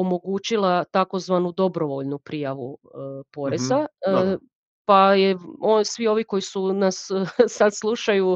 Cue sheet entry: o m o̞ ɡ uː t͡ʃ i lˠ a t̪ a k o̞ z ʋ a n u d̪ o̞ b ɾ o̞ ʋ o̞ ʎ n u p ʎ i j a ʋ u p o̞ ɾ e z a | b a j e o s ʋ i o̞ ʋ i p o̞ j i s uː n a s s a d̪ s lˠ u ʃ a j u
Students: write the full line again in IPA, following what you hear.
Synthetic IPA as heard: o m o̞ ɡ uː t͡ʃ i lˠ a t̪ a k o̞ z ʋ a n u d̪ o̞ b ɾ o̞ ʋ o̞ ʎ n u p ɾ i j a ʋ u p o̞ ɾ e z a | p a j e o s ʋ i o̞ ʋ i k o̞ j i s u n a s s a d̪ s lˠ u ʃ a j u